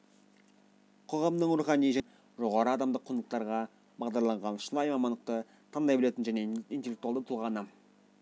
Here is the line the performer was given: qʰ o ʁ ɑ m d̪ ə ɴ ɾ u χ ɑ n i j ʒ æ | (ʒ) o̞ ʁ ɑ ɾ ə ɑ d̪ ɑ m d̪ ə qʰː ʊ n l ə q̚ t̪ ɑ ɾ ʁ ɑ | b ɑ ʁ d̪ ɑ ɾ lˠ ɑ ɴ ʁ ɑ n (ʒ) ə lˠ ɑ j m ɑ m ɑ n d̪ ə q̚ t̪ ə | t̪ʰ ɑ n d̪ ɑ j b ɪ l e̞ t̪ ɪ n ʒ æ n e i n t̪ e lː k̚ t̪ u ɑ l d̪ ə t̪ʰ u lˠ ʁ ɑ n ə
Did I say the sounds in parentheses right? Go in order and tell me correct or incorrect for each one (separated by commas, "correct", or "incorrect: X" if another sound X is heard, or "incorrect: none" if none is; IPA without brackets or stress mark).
correct, incorrect: ʃ